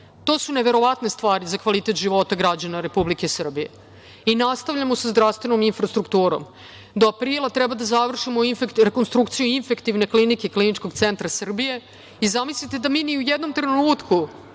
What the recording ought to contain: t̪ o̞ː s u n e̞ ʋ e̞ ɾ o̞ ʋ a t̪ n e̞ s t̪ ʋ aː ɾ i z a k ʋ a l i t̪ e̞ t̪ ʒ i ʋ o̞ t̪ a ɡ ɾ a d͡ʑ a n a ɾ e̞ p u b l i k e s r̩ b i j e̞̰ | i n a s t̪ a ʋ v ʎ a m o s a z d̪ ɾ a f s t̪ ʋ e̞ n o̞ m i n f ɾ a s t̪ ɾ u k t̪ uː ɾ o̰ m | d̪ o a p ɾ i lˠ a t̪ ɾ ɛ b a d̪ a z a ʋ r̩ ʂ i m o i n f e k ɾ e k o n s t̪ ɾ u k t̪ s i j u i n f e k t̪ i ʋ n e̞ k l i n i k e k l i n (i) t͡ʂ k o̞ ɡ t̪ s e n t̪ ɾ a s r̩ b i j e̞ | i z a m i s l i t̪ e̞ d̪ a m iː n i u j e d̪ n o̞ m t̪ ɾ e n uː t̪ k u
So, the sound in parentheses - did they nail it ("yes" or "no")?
yes